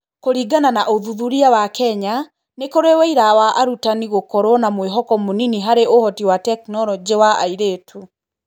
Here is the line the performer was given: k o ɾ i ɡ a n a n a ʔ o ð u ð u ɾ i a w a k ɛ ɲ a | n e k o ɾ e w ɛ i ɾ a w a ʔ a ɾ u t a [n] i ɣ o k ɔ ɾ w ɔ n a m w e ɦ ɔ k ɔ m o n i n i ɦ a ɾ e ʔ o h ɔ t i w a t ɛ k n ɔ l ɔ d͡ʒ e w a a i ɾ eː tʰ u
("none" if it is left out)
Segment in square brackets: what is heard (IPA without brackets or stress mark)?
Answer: n